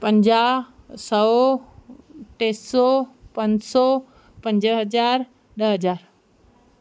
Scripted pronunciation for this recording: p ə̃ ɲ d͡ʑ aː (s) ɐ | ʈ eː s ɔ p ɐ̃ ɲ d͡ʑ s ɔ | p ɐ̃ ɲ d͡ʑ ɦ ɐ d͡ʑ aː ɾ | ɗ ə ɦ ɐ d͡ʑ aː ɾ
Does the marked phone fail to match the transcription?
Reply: no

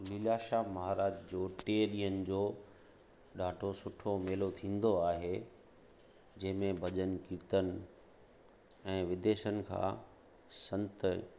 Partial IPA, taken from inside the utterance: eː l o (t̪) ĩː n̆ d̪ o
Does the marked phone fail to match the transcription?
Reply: yes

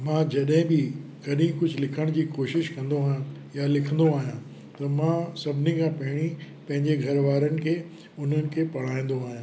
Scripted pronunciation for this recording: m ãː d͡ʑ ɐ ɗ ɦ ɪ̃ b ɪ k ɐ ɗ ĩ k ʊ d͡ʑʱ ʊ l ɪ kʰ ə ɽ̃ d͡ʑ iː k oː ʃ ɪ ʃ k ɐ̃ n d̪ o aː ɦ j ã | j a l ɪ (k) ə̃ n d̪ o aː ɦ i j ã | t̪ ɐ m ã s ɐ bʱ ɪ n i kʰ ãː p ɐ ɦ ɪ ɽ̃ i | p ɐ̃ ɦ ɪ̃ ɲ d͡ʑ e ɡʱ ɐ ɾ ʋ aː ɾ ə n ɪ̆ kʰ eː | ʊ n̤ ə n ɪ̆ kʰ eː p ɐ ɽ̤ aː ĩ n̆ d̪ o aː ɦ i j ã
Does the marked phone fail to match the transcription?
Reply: yes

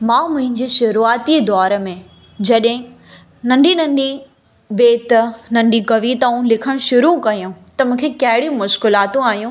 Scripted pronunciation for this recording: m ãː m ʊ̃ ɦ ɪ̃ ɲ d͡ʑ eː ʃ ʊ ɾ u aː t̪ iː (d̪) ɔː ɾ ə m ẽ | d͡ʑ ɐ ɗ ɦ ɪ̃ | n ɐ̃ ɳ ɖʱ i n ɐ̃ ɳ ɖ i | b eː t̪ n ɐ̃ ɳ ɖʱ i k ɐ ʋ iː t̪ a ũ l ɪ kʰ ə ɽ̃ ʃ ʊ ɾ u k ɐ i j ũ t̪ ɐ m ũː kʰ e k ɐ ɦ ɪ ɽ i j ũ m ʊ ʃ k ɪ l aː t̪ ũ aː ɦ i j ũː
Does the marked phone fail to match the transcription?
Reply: no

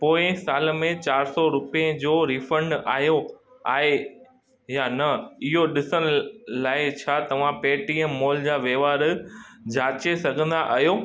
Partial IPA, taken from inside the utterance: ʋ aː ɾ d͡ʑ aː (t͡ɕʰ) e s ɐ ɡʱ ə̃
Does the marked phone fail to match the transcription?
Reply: yes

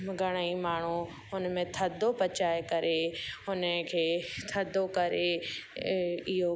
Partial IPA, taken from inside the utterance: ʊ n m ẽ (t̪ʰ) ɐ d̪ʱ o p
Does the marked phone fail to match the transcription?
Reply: no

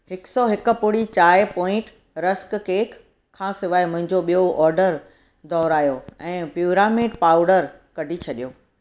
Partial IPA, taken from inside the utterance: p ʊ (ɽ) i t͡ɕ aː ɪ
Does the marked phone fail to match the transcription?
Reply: no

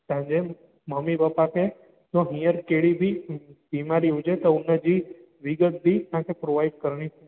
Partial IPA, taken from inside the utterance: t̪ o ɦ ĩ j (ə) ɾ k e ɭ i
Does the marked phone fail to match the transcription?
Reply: no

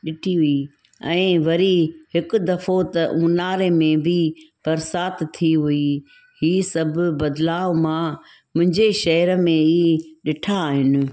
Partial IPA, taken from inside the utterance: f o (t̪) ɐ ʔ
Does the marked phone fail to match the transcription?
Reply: no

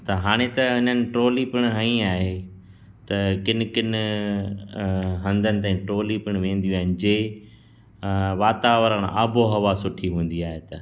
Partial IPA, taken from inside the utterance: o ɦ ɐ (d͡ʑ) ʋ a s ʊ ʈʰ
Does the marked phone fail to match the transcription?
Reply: yes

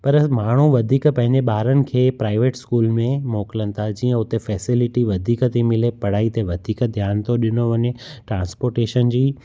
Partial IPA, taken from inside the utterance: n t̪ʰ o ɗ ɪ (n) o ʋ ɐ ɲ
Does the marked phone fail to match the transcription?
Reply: no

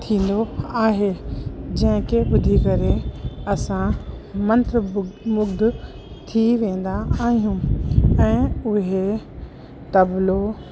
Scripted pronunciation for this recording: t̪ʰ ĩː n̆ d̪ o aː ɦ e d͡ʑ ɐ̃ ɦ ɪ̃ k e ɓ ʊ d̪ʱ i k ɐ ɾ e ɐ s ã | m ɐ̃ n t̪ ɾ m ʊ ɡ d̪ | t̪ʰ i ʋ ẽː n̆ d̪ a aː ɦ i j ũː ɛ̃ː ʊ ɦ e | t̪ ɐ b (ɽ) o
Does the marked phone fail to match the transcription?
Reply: yes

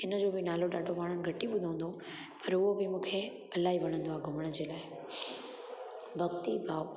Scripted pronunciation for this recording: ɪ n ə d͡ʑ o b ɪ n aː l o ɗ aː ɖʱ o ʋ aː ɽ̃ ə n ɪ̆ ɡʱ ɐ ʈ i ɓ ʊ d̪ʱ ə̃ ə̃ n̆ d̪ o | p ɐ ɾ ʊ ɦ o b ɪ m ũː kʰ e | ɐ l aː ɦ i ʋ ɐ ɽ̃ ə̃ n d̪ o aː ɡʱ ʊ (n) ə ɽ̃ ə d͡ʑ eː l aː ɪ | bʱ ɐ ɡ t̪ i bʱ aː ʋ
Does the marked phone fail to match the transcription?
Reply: yes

